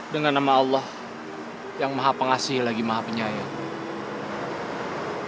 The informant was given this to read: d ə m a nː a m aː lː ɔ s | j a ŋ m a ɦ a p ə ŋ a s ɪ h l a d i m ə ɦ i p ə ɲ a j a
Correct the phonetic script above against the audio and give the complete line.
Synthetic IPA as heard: d ə ŋ a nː a m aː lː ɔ h | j a ŋ m a ɦ a p ə ŋ a s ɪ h l a ɡ i m a ɦ a p ə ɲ a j a